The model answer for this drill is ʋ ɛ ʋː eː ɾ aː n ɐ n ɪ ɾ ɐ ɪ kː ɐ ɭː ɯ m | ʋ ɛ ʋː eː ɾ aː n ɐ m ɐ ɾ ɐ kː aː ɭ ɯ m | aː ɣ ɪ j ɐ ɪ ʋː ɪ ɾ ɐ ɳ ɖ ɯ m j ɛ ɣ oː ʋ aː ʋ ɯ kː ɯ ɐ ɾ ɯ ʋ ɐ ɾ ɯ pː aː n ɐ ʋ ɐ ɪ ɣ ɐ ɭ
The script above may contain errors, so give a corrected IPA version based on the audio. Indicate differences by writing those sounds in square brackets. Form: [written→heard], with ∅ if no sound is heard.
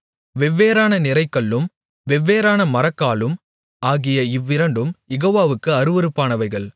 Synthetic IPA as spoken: ʋ ɛ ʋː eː ɾ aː n ɐ n ɪ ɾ ɐ ɪ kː ɐ ɭː ɯ m | ʋ ɛ ʋː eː ɾ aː n ɐ m ɐ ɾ ɐ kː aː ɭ ɯ m | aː ɣ ɪ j ɐ ɪ ʋː ɪ ɾ ɐ ɳ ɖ ɯ m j ɛ ɣ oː ʋ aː ʋ ɯ kː ɯ ɐ ɾ ɯ ʋ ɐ ɾ ɯ pː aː n ɐ ʋ ɐ ɪ ɣ ɐ ɭ